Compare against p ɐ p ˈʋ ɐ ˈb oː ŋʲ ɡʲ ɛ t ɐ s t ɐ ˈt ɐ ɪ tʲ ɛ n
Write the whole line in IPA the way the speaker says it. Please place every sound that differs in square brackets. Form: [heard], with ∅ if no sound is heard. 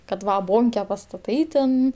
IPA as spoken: [k] ɐ [t] ˈʋ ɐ ˈb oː ŋʲ [kʲ] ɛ [p] ɐ s t ɐ ˈt ɐ ɪ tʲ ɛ n